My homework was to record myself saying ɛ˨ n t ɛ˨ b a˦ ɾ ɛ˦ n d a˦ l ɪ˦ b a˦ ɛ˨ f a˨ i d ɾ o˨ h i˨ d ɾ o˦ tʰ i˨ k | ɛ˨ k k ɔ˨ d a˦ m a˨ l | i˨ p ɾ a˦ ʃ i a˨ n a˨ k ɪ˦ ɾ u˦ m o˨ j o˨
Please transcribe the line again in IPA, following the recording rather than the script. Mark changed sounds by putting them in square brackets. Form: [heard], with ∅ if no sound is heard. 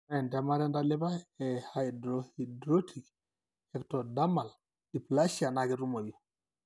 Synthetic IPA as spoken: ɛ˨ n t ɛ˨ [m] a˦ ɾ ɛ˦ n d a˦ l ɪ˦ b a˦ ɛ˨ [h] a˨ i d ɾ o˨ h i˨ d ɾ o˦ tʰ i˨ k | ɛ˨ k [t] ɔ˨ d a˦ m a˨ l | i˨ p [l] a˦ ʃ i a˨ n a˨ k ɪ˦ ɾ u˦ m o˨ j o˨